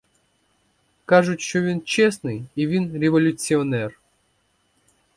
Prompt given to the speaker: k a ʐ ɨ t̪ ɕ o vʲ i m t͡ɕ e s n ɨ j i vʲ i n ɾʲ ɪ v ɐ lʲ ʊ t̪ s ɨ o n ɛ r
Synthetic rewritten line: k a ʐ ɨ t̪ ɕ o vʲ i n t͡ɕ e s n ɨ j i vʲ i n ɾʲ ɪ v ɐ lʲ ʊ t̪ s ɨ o n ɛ r